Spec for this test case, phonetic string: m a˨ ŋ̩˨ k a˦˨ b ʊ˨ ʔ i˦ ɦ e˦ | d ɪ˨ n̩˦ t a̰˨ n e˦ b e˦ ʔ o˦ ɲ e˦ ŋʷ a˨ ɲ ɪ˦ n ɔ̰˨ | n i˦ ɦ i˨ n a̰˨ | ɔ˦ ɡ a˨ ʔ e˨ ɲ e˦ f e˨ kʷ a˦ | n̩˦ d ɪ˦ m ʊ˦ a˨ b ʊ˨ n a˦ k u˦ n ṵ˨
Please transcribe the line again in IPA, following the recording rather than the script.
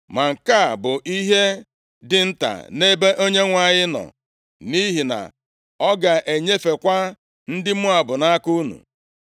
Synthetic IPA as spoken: m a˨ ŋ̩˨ k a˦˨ b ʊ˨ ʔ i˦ ɦ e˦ | d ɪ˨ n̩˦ t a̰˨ n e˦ b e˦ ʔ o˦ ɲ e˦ ŋʷ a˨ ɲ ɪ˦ n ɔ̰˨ | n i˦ ɦ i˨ n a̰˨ | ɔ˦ ɡ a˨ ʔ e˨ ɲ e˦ f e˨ kʷ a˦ | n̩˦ d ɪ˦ m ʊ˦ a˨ b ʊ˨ n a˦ k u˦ n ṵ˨